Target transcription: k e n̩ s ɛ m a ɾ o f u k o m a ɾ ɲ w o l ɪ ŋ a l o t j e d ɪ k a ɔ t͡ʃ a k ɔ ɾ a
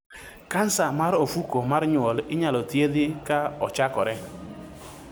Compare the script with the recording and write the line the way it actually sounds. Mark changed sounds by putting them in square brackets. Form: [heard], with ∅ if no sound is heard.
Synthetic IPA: k [a] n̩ s [a] m a ɾ o f u k o m a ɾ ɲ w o l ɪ [ɲ] a l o t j e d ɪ k a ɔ t͡ʃ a k ɔ ɾ [ɛ]